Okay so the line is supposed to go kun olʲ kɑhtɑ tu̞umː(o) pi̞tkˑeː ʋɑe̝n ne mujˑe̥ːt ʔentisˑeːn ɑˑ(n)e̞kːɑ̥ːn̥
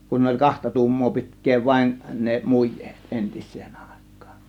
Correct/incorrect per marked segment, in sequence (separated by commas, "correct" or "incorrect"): incorrect, incorrect